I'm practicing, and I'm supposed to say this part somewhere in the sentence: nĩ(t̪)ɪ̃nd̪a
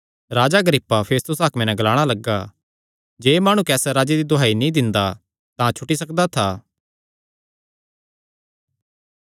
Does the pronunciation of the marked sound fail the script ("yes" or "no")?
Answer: yes